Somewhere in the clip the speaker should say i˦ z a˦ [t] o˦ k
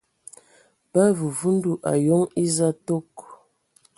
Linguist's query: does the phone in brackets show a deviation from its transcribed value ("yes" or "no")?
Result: no